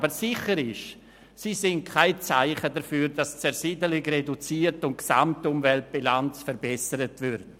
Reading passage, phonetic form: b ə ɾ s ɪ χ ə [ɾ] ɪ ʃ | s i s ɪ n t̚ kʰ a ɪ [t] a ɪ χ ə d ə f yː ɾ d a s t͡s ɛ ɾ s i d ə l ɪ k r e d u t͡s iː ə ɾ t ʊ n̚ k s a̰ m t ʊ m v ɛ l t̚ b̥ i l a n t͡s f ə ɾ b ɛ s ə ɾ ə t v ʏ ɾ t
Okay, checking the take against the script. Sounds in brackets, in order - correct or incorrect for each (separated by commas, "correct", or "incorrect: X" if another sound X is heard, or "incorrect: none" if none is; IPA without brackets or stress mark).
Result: correct, incorrect: t͡s